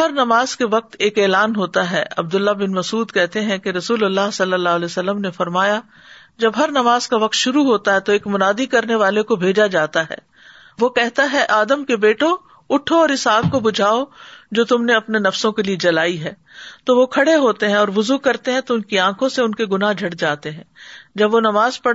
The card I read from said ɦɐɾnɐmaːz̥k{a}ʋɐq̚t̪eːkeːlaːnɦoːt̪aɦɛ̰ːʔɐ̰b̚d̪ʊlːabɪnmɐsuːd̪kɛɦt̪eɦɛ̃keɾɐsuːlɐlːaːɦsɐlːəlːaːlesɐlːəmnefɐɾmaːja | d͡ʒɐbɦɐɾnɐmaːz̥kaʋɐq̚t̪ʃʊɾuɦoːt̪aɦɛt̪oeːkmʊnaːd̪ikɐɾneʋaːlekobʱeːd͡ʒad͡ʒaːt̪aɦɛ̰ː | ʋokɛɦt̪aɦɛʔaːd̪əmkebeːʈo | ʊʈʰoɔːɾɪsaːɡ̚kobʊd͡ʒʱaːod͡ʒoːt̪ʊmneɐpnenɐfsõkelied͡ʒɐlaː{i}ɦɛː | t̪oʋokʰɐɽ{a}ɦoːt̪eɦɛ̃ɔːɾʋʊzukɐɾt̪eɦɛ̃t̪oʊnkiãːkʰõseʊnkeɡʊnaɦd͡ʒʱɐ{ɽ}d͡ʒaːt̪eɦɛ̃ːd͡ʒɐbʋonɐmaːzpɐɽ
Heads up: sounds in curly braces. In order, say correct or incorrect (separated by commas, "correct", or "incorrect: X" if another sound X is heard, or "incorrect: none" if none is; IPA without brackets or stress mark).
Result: incorrect: e, correct, incorrect: e, correct